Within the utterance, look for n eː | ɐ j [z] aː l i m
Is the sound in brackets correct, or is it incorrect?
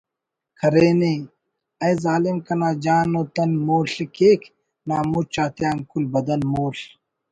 correct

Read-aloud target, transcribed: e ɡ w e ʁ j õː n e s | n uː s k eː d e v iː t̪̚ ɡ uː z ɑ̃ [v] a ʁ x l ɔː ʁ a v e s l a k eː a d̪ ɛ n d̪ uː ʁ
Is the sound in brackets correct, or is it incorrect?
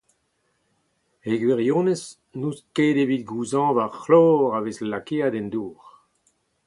correct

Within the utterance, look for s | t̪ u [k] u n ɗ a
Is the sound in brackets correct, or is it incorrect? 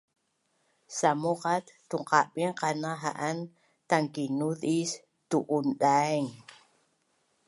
incorrect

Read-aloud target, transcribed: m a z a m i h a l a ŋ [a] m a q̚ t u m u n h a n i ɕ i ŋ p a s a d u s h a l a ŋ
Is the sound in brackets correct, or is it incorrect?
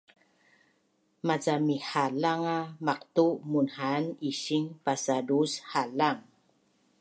correct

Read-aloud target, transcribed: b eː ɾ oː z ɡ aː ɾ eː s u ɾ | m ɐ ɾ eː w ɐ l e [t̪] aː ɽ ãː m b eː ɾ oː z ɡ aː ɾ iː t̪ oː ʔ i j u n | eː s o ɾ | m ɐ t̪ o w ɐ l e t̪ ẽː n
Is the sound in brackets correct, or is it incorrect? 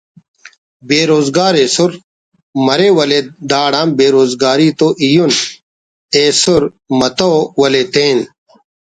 incorrect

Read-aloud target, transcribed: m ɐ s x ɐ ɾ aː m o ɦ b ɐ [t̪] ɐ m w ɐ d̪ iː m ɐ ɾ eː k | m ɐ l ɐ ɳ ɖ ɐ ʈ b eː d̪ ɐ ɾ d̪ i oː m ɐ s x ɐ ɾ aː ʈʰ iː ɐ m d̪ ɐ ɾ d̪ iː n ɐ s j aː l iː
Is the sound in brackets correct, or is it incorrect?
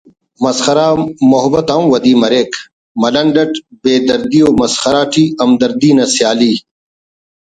correct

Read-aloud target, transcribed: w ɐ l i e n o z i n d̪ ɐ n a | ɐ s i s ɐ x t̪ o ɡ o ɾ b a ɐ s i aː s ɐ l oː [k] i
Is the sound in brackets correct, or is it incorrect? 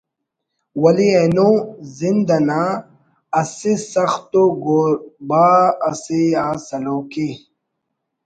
correct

